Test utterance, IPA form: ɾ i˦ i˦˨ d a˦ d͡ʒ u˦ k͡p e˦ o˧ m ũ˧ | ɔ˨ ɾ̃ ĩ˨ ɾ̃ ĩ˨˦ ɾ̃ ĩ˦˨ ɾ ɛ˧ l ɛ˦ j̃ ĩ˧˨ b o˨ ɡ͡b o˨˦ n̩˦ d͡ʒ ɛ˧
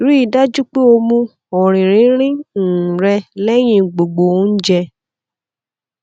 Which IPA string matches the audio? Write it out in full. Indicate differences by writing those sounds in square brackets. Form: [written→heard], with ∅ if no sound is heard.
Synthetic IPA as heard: ɾ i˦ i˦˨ d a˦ d͡ʒ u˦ k͡p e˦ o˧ m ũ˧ | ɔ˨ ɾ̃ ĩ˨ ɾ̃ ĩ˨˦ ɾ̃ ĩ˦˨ ɾ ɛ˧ l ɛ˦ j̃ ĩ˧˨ [b→ɡ͡b] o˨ ɡ͡b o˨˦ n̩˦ d͡ʒ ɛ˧